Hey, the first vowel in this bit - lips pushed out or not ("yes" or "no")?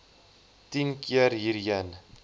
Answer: no